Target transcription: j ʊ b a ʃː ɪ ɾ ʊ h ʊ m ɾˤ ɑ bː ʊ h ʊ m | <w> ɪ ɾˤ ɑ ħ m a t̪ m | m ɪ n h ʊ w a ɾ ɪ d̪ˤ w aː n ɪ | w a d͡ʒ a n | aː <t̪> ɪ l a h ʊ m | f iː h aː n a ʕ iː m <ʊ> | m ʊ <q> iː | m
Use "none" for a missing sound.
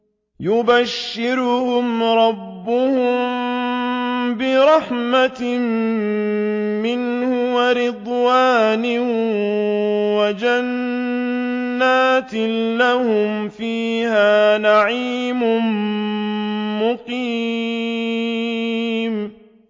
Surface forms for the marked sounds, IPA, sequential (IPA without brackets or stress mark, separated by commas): b, t̪, ʊ, q